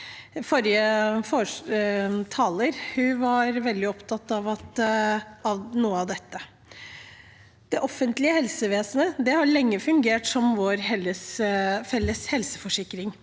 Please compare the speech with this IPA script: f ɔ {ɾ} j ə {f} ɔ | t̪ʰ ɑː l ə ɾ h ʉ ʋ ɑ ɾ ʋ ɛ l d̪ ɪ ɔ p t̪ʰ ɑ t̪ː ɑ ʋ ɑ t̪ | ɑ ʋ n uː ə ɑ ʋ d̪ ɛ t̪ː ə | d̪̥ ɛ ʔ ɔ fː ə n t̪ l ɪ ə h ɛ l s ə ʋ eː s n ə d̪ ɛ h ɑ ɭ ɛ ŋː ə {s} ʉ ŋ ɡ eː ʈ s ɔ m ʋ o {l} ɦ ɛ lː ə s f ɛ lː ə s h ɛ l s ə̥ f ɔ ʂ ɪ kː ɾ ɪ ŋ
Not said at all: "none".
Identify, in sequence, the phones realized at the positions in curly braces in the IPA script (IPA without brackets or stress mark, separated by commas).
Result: ɾ, f, f, ɾ